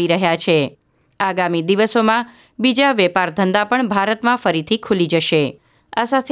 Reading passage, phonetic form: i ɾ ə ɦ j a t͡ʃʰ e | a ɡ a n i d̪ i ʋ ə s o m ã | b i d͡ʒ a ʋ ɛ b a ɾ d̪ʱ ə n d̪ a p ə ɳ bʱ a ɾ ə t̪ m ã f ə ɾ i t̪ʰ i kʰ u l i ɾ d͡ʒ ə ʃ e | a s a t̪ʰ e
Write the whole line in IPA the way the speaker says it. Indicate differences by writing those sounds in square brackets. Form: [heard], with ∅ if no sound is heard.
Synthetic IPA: i ɾ ə ɦ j a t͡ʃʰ e | a ɡ a [m] i d̪ i ʋ ə s o m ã | b i d͡ʒ a ʋ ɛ [p] a ɾ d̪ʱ ə n d̪ a p ə ɳ bʱ a ɾ ə t̪ m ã f ə ɾ i t̪ʰ i kʰ u l i [∅] d͡ʒ ə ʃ e | a s a t̪ʰ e